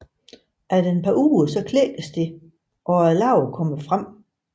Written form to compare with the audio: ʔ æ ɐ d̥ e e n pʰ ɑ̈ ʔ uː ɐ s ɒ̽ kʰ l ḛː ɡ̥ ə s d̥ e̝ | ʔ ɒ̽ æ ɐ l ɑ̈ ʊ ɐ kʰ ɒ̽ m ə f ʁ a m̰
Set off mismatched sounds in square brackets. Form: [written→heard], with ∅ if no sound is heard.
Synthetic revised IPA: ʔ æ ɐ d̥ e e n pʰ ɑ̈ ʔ uː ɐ s ɒ̽ kʰ l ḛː ɡ̥ ə s d̥ e̝ | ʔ ɒ̽ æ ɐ l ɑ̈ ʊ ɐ kʰ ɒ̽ m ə f ʁ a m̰